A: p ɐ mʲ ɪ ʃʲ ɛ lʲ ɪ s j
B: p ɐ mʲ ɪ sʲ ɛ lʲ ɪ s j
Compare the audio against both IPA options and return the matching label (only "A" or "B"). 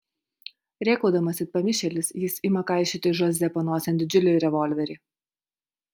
A